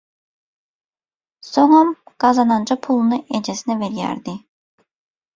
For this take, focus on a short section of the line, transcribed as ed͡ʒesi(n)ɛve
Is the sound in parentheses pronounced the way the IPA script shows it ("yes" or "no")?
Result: yes